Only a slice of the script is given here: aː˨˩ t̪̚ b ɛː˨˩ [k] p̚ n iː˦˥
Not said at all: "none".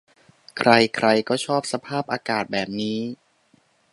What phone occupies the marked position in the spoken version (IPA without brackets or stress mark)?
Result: none